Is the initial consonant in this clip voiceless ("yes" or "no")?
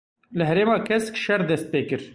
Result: no